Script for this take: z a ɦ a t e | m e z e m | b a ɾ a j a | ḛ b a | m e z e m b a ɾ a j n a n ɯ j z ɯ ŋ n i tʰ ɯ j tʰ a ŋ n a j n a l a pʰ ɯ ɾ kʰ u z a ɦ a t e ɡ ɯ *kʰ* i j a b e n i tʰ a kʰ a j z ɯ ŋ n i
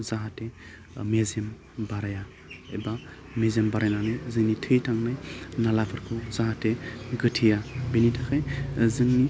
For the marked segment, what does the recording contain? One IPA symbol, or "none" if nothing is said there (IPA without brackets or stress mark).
tʰ